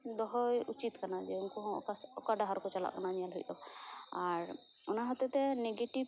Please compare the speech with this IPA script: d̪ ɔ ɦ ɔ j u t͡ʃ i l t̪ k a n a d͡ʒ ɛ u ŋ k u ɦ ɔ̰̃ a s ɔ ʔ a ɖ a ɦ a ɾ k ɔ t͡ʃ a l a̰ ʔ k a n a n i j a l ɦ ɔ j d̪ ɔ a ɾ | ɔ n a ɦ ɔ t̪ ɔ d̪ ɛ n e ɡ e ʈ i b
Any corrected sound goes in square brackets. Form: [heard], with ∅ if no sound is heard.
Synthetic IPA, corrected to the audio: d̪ ɔ ɦ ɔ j u t͡ʃ i [∅] t̪ k a n a d͡ʒ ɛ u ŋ k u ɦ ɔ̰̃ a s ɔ [k] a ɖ a ɦ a ɾ k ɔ t͡ʃ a l a̰ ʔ k a n a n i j a l ɦ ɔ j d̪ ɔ a ɾ | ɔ n a ɦ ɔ t̪ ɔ [t̪] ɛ n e ɡ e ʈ i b